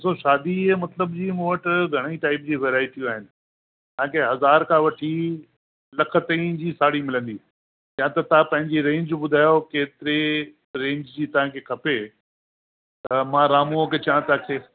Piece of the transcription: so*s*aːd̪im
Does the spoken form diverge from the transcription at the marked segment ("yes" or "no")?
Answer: yes